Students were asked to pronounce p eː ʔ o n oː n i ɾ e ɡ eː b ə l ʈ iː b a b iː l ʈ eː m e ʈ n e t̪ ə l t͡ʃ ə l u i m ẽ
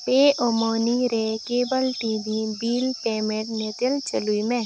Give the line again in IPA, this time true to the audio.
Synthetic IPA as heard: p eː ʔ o m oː n i ɾ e k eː b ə l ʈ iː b i b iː l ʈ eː m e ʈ n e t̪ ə l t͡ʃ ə l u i m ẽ